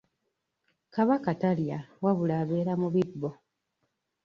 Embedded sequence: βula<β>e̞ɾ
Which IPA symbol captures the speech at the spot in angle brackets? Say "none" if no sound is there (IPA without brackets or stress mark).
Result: β